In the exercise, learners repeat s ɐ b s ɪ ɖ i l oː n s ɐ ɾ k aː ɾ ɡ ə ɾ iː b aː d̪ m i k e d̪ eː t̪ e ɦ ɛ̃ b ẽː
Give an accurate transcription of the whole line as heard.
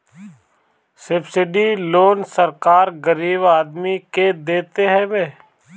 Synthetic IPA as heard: s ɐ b s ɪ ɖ i l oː n s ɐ ɾ k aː ɾ ɡ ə ɾ iː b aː d̪ m i k e d̪ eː t̪ e ɦ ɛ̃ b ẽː